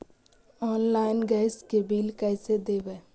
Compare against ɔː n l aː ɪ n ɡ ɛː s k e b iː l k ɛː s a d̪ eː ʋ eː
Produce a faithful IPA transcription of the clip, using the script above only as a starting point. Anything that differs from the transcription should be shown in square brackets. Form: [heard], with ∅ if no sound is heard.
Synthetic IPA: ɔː n l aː ɪ n ɡ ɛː s k e b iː l k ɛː s [e] d̪ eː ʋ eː